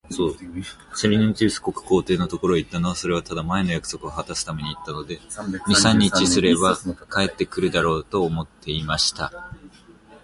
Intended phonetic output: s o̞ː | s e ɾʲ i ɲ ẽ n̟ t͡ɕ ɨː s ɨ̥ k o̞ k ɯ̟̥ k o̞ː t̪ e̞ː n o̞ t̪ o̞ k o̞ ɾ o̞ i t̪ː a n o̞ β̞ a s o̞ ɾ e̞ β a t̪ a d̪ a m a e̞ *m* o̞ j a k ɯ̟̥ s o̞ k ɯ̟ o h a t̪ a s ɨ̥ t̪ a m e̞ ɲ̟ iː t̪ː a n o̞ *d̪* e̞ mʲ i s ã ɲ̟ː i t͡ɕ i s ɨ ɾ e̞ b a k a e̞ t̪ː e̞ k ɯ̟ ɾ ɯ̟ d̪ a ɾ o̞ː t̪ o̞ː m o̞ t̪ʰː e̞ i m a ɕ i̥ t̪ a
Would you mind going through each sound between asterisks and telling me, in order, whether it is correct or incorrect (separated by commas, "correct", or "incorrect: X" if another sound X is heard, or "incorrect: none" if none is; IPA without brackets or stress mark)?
incorrect: n, correct